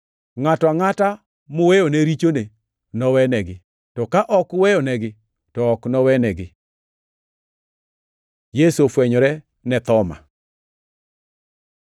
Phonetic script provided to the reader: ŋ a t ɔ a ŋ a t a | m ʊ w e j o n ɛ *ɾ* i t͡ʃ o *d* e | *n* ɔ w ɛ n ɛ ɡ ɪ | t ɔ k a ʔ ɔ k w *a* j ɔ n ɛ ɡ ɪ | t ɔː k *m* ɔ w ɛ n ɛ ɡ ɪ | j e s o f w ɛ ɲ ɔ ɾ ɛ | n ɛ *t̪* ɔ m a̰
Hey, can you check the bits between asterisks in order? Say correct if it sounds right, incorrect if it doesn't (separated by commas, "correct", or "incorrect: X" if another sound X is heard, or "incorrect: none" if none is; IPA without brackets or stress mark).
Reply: correct, incorrect: n, correct, incorrect: ɛ, incorrect: n, correct